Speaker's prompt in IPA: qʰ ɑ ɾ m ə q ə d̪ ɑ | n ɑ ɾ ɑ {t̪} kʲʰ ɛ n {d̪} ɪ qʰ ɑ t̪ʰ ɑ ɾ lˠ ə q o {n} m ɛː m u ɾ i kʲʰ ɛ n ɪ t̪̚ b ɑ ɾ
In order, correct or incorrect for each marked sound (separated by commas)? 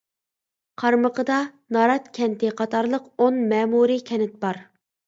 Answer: correct, incorrect, correct